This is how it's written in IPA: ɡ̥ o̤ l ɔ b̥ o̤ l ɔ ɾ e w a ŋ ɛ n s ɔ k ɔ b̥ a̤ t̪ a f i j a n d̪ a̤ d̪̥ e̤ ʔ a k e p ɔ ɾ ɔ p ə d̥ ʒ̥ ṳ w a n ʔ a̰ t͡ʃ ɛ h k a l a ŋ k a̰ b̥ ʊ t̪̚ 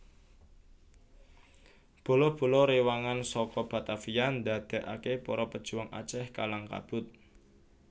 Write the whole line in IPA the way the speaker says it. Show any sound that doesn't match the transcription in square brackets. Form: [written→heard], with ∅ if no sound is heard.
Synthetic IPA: [ɡ̥→b̥] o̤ l ɔ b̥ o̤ l ɔ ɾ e w a ŋ [ɛ→a] n s ɔ k ɔ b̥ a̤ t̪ a f i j a n d̪ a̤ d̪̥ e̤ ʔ a k e p ɔ ɾ ɔ p ə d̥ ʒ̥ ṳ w a [n→ŋ] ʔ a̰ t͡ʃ ɛ h k a l a ŋ k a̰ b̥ ʊ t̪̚